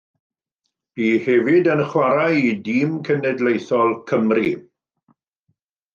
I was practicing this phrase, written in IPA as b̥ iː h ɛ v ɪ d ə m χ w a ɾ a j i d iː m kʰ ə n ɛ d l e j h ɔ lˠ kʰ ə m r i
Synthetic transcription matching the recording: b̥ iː h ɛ v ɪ d ə n χ w a ɾ a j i d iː m kʰ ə n ɛ d l e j θ ɔ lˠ kʰ ə m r i